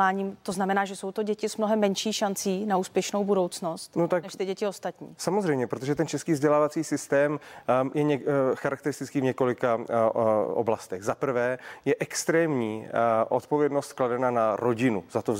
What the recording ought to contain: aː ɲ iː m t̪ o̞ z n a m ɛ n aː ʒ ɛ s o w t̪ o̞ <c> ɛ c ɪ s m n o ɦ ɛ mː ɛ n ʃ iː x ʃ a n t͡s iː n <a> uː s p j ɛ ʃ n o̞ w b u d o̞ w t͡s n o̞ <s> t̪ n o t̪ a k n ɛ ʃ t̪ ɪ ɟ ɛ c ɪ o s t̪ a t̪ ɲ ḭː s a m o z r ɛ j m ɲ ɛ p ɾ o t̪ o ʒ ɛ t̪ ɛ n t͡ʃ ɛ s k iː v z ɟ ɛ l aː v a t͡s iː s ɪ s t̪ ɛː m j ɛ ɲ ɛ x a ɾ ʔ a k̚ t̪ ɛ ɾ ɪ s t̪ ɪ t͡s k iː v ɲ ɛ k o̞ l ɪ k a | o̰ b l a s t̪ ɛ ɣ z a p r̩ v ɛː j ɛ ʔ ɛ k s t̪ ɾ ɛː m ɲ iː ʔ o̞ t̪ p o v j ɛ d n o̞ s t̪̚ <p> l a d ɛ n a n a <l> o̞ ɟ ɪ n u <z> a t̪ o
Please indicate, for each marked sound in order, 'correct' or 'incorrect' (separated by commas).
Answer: incorrect, correct, correct, incorrect, incorrect, correct